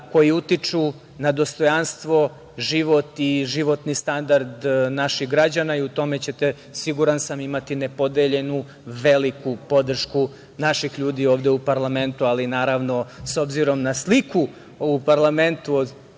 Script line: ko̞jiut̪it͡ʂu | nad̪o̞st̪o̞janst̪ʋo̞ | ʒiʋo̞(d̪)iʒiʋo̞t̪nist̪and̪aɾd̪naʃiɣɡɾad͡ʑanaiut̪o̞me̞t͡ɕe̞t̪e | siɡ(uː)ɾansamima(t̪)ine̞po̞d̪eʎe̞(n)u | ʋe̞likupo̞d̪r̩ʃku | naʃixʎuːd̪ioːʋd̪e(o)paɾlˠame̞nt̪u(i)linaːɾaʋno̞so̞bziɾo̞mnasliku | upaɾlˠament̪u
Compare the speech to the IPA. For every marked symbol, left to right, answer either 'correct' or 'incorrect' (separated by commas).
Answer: incorrect, incorrect, correct, correct, incorrect, incorrect